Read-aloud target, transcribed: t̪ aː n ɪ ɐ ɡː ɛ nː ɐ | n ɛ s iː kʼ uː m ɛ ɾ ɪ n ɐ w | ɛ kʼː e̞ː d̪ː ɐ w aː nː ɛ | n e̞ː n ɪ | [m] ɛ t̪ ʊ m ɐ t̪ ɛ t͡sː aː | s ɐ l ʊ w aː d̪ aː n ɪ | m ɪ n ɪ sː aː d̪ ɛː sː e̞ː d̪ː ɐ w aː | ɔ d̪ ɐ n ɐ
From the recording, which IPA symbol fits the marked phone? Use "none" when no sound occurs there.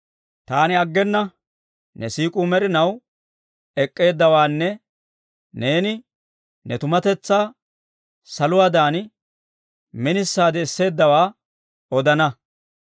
n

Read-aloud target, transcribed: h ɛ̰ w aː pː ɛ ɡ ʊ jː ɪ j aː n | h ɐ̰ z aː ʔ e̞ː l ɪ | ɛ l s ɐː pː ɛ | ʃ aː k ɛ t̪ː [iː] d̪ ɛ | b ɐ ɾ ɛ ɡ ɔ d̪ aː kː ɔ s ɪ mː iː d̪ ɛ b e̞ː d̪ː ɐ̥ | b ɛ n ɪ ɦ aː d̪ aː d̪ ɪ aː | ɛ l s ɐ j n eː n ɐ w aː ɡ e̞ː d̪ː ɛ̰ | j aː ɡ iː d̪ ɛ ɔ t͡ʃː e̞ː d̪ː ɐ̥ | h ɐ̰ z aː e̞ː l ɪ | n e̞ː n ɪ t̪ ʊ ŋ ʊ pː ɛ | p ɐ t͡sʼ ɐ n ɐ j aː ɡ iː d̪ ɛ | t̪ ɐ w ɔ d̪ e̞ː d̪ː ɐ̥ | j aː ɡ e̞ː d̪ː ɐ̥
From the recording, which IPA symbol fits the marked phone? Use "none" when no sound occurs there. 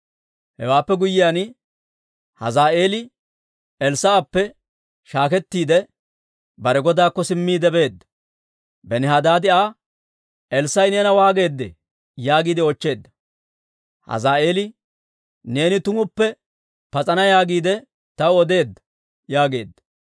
iː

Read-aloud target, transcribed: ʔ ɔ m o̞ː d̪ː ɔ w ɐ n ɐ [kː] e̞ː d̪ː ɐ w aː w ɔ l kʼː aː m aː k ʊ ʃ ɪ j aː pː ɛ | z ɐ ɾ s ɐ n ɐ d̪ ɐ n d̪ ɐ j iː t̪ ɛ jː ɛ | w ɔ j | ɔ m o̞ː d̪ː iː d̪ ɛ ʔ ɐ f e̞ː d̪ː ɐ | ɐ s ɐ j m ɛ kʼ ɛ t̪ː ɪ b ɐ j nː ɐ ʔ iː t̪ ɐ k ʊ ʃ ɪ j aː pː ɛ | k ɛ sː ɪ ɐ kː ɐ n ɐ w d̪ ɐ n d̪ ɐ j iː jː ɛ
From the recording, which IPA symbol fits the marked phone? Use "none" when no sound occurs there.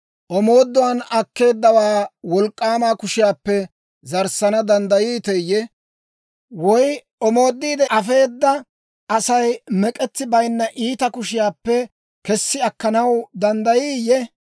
kː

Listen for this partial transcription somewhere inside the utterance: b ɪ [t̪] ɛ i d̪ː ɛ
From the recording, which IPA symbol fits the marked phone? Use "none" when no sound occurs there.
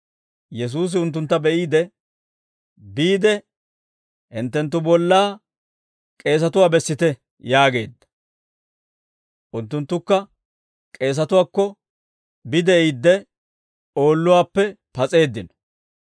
d̪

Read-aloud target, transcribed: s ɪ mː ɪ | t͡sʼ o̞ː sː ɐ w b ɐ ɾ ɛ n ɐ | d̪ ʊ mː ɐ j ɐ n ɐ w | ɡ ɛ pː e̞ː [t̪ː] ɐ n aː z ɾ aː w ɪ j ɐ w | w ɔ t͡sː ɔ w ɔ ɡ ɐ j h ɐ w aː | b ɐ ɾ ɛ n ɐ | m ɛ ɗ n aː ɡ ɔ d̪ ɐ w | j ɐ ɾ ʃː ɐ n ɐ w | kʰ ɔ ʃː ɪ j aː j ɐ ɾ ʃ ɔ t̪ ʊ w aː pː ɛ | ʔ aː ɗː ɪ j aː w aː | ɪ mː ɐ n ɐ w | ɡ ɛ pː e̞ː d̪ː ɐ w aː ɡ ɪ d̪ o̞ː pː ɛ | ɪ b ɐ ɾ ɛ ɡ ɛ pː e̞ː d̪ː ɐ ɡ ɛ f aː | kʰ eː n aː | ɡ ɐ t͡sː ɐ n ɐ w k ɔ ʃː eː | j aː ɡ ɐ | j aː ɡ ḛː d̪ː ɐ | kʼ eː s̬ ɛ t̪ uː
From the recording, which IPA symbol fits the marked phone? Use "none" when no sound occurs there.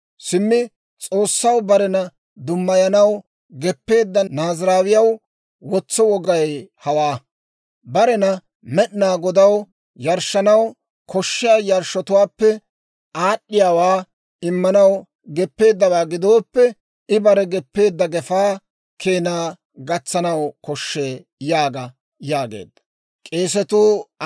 d̪ː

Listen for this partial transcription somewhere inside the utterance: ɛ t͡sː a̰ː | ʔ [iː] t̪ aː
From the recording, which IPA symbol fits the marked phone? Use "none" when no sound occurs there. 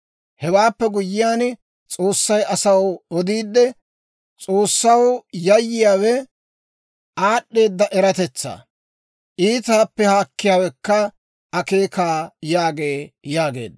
iː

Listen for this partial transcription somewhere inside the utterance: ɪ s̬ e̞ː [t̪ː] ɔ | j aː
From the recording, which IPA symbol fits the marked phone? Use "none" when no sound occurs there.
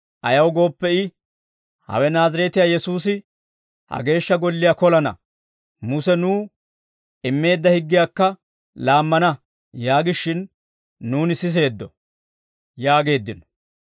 d̪ː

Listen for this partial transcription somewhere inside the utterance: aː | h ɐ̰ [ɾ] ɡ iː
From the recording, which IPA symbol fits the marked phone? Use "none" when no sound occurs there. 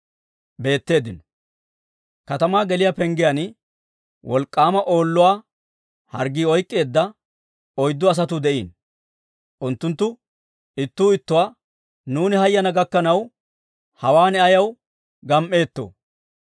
ɾ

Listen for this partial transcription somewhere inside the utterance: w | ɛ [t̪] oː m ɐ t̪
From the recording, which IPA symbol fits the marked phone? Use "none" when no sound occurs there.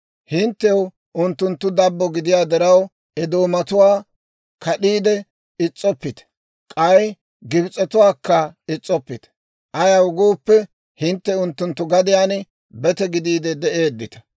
d̪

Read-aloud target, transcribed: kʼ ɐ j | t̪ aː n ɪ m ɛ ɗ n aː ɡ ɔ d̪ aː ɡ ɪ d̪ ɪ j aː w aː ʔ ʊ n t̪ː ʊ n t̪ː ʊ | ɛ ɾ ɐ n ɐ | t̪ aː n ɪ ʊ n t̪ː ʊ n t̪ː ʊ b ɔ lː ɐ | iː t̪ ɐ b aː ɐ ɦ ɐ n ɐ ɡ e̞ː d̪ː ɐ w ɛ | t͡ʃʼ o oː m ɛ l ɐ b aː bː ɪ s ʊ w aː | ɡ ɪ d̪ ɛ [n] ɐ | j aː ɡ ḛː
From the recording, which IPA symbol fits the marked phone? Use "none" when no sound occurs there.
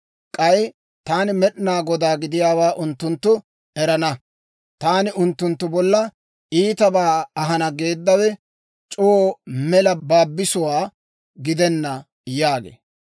nː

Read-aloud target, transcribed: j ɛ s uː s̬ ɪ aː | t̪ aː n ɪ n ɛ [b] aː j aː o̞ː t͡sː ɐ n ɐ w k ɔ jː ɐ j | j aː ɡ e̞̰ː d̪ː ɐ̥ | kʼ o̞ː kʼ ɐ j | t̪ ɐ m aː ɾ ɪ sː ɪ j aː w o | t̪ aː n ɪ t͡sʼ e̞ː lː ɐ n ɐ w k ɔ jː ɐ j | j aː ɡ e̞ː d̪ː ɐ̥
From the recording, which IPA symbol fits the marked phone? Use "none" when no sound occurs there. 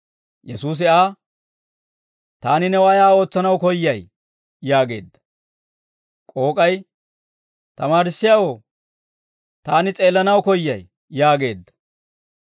w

